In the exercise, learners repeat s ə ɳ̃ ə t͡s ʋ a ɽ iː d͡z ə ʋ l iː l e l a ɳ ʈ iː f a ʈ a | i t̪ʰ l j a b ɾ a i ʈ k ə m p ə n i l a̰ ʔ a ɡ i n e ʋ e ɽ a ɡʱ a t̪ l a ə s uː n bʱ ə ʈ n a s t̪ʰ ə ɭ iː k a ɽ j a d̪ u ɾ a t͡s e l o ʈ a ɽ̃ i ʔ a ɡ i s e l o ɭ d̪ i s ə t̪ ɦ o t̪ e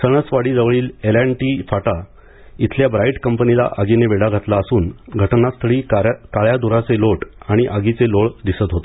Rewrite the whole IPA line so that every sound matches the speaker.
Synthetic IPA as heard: s ə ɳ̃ ə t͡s ʋ a ɽ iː d͡z ə ʋ ɭ iː l e l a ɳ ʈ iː f a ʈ a | i t̪ʰ l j a b ɾ a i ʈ k ə m p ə n i l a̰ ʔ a ɡ i n e ʋ e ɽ a ɡʱ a t̪ l a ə s uː n ɡʱ ə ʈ n a s t̪ʰ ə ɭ iː k a ɭ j a d̪ u ɾ a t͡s e l o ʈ a ɽ̃ i ʔ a ɡ i t͡s e l o ɭ d̪ i s ə t̪ ɦ o t̪ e